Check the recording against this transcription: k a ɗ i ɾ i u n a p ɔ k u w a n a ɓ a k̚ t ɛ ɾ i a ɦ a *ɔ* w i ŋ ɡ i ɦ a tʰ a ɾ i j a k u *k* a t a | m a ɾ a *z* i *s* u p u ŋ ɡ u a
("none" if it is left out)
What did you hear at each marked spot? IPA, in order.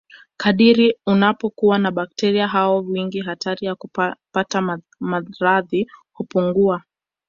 ɔ, p, ð, h

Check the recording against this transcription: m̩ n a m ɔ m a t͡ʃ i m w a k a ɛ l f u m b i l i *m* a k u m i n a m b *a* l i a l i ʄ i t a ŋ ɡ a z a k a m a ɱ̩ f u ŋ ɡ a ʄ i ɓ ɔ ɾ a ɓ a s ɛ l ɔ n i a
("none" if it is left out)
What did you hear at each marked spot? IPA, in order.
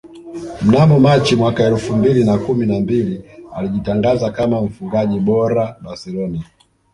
n, i

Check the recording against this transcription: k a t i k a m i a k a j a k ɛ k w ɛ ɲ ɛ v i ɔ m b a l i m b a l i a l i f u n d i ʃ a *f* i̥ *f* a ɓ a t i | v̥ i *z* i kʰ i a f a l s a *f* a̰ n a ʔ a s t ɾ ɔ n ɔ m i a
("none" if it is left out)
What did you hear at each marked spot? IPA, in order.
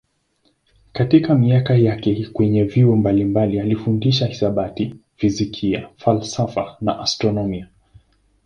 h, s, z, f

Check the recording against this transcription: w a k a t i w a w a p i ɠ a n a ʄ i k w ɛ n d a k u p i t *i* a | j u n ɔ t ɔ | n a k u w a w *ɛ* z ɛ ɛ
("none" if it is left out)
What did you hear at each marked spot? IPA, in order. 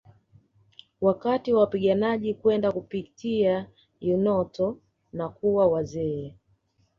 i, a

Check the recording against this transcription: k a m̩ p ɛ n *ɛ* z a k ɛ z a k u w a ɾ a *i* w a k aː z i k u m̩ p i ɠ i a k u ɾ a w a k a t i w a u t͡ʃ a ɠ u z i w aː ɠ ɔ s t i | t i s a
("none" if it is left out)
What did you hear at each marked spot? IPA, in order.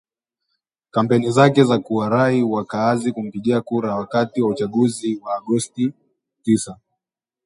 i, i

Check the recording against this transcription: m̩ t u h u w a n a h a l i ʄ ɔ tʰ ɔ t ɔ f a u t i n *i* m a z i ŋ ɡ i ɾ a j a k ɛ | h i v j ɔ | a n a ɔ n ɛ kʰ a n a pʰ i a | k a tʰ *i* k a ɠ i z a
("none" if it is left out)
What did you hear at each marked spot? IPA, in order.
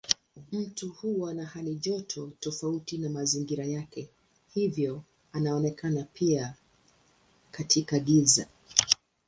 a, i

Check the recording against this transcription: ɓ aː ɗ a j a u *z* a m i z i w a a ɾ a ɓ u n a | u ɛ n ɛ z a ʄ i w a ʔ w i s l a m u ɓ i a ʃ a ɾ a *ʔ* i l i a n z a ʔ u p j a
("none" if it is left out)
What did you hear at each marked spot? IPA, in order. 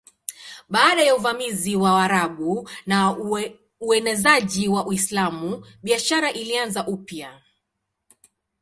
v, ʔ

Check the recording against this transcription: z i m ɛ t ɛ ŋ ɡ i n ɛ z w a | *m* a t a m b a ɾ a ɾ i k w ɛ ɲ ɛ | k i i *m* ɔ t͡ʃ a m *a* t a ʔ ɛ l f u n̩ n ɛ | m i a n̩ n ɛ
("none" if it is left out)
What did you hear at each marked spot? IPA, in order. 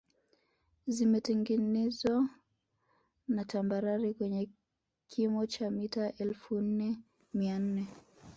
n, m, i

